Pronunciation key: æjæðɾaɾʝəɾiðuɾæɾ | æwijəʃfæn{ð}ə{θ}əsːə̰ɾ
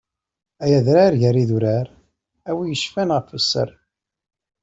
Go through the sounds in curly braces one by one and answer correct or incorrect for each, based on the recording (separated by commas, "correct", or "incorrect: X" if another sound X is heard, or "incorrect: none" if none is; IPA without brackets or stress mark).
incorrect: ʁ, incorrect: f